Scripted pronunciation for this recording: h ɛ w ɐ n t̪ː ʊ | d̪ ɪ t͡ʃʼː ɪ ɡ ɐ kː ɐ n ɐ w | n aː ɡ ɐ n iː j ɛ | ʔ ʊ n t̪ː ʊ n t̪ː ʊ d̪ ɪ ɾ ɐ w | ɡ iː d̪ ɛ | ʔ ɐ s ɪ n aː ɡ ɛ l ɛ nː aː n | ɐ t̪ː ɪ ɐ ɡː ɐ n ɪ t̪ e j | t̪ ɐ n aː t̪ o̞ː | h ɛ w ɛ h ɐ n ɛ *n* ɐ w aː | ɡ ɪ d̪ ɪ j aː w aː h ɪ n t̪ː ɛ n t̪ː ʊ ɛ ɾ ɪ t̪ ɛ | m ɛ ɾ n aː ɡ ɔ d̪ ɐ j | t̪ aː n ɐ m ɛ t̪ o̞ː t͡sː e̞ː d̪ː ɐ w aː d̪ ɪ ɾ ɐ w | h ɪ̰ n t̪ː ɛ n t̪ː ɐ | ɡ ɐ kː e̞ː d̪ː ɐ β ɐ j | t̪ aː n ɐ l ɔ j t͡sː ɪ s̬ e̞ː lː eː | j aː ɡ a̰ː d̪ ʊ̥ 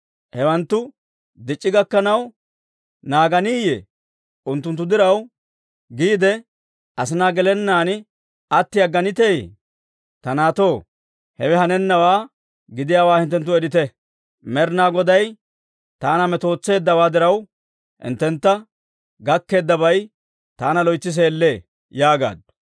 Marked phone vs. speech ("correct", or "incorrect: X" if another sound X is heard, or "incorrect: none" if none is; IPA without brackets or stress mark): incorrect: nː